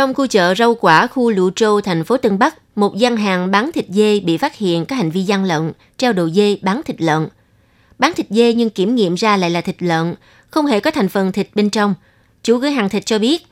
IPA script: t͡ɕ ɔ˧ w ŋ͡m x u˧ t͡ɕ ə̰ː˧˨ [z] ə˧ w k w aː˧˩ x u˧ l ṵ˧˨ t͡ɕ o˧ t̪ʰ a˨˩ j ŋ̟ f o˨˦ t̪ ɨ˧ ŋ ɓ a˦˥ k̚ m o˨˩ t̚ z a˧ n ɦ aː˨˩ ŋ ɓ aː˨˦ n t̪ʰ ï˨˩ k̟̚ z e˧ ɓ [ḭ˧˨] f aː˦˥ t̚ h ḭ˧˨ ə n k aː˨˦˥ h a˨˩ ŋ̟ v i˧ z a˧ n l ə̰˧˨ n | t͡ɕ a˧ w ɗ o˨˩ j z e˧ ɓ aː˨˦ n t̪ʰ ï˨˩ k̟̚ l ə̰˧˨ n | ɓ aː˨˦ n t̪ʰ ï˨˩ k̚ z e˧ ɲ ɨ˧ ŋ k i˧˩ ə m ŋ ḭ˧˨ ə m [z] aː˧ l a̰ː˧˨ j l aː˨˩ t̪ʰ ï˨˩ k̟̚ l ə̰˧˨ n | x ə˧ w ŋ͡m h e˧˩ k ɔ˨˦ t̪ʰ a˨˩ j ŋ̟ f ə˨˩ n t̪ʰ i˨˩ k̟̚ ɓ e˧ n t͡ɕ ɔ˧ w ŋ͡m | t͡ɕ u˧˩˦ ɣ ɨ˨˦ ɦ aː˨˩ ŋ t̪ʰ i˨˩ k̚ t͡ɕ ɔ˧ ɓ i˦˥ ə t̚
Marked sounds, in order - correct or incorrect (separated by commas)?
correct, correct, correct